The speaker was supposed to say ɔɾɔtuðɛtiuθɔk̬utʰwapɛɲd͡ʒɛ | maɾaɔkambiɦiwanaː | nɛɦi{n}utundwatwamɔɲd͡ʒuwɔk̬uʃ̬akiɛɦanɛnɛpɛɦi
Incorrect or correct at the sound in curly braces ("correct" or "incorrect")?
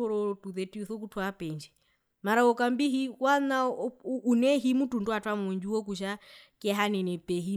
incorrect